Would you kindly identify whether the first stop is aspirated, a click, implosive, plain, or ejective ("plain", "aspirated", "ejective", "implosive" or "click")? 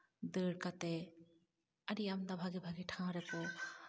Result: plain